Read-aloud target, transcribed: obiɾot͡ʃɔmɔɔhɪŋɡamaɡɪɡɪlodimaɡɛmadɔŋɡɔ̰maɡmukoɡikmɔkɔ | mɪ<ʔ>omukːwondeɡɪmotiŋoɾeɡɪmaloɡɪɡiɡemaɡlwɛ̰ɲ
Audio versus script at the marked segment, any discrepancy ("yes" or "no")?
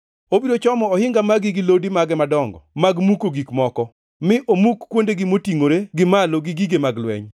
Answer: no